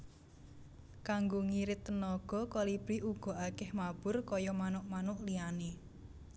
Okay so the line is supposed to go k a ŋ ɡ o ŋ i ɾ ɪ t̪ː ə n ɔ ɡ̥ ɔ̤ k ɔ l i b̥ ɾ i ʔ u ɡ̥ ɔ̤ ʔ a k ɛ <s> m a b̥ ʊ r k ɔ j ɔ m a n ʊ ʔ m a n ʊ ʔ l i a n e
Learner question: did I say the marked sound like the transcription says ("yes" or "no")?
no